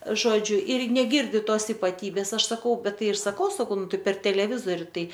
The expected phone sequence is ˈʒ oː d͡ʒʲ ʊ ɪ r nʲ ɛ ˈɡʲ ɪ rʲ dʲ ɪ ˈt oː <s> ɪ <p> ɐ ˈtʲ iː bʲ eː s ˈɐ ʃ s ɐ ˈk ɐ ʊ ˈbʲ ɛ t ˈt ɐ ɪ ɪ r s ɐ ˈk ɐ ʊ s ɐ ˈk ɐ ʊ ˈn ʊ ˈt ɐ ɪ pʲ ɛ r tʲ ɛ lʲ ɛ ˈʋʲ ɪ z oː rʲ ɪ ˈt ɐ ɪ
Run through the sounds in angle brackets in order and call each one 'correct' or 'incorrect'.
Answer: correct, correct

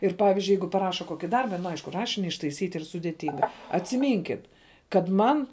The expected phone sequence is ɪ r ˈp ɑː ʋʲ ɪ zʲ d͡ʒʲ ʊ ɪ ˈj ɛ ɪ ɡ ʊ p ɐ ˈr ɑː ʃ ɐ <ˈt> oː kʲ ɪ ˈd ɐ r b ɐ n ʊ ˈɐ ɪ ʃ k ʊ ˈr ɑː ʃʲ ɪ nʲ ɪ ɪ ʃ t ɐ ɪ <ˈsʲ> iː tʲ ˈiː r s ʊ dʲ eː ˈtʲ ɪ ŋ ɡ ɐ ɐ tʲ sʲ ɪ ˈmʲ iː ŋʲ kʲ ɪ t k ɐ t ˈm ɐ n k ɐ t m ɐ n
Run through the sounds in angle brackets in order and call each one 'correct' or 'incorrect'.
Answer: incorrect, correct

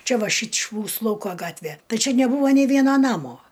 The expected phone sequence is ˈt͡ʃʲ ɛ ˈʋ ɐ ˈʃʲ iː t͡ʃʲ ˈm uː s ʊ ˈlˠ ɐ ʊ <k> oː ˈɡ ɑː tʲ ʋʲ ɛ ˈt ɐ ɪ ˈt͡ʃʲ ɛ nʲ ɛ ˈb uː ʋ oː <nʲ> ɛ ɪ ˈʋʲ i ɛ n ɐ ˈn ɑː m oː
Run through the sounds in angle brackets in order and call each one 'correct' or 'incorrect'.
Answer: correct, correct

